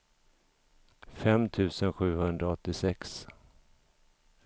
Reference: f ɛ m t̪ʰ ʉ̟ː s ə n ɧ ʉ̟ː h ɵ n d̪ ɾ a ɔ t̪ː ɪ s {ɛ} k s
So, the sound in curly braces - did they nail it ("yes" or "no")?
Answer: yes